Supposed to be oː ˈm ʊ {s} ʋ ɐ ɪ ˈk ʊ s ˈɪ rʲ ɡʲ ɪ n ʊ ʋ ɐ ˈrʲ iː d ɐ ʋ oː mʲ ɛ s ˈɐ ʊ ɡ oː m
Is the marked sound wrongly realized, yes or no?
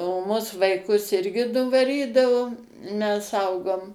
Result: no